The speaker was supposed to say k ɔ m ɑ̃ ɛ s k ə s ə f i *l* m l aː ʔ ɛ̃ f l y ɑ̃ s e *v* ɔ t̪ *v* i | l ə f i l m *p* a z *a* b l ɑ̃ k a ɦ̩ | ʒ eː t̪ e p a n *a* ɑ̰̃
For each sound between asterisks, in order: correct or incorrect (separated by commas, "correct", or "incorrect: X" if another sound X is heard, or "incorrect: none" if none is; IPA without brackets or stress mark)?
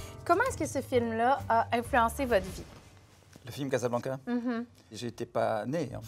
correct, correct, correct, incorrect: k, correct, incorrect: e